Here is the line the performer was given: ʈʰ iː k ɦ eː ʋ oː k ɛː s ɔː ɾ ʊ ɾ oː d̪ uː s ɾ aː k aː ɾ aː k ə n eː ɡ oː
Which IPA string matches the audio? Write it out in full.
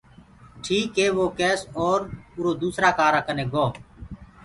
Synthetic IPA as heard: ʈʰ iː k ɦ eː ʋ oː k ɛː s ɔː ɾ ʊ ɾ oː d̪ uː s ɾ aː k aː ɾ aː k ə n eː ɡ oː